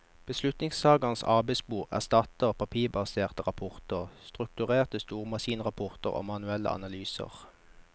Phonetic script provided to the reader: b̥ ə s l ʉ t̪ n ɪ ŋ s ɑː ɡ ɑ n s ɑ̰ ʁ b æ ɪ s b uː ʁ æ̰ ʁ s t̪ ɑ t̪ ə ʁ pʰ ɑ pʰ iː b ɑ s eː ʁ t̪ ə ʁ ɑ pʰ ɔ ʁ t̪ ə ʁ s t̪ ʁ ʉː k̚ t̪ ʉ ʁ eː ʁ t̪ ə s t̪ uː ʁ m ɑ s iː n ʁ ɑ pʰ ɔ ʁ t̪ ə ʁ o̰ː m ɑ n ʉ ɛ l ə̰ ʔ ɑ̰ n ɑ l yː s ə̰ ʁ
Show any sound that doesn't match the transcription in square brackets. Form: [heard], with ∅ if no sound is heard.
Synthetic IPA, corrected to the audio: b̥ ə s l ʉ t̪ n ɪ ŋ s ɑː ɡ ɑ n s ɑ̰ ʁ b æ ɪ s b uː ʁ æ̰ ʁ s t̪ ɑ t̪ ə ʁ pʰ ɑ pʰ iː b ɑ s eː ʁ t̪ ə ʁ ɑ pʰ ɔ ʁ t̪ ə ʁ s t̪ ʁ [ʉ] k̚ t̪ ʉ ʁ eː ʁ t̪ ə s t̪ uː ʁ m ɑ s iː n ʁ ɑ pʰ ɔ ʁ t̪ ə ʁ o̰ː m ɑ n ʉ ɛ l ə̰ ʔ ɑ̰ n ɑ l yː s ə̰ ʁ